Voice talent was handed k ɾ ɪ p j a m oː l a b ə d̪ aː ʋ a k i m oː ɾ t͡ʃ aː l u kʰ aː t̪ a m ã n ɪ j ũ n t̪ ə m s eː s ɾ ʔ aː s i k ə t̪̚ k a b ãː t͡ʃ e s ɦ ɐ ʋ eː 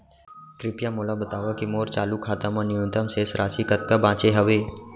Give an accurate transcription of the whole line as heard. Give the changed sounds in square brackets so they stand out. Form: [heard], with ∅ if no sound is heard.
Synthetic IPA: k ɾ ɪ p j a m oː l a b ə [t̪] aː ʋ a k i m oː ɾ t͡ʃ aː l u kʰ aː t̪ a m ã n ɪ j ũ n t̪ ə m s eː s ɾ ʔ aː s i k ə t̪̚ k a b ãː t͡ʃ e [∅] ɦ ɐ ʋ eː